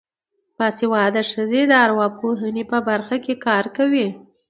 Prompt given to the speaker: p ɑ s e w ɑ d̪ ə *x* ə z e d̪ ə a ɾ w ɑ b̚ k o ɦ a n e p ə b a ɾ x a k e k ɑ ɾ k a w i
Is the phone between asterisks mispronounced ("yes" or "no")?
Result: yes